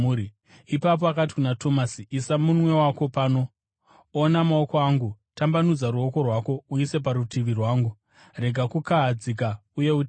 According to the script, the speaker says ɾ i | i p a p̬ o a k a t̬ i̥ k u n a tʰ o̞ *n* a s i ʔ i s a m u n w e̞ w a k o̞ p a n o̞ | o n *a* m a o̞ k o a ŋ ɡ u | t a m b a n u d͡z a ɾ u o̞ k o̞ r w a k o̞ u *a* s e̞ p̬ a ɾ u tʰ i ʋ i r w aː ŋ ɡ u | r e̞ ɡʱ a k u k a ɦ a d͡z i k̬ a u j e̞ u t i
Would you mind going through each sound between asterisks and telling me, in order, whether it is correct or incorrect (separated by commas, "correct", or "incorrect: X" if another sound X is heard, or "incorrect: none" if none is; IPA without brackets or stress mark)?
incorrect: m, correct, incorrect: i